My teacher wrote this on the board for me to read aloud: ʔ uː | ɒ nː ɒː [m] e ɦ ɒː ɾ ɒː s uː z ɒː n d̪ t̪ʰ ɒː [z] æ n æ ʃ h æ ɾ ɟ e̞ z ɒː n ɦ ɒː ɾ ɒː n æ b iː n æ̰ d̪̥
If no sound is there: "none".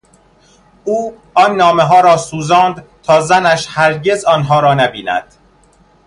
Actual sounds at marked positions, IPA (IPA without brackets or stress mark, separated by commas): m, z